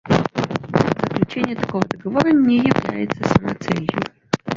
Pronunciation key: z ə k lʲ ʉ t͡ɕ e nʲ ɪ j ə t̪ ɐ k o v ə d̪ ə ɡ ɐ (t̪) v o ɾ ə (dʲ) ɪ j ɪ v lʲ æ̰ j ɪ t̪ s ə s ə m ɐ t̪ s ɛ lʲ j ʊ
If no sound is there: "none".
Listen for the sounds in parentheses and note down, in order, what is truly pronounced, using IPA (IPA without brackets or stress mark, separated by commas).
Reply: none, nʲ